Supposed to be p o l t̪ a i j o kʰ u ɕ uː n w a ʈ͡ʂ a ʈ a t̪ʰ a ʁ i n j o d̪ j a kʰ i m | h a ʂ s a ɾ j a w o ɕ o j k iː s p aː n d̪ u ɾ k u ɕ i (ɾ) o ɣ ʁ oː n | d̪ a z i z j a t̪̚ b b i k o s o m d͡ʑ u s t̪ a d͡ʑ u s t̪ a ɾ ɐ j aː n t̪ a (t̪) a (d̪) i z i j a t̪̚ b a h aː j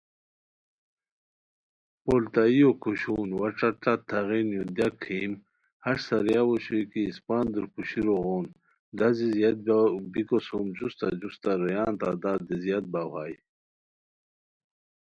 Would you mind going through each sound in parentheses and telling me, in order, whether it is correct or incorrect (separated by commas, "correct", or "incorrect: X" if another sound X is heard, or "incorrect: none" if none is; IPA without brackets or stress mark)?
correct, incorrect: d̪, correct